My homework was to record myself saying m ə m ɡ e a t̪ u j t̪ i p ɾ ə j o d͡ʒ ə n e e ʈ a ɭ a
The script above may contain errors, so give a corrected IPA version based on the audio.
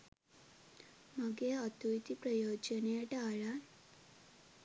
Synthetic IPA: m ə ɡ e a t̪ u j t̪ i p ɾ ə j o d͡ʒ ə n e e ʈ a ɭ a